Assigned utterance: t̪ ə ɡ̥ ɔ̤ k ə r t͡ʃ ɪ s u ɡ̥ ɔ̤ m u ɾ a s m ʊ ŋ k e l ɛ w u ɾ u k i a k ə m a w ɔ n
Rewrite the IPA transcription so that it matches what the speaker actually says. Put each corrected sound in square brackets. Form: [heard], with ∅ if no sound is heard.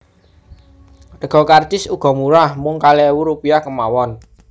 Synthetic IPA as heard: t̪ ə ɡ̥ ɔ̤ k [a] r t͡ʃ ɪ s u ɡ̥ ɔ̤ m u ɾ a [h] m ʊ ŋ k [a] l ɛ w u ɾ u [p] i a k ə m a w ɔ n